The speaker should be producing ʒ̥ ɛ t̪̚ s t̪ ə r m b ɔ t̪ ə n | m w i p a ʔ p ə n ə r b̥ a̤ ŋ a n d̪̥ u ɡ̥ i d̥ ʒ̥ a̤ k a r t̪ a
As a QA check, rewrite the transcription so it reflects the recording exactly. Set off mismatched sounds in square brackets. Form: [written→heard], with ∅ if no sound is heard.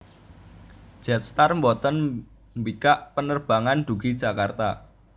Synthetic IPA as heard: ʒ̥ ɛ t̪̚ s t̪ [ə→a] r m b ɔ t̪ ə n | m [w→b] i [p→k] a ʔ p ə n ə r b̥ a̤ ŋ a n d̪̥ u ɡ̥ i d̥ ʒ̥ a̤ k a r t̪ a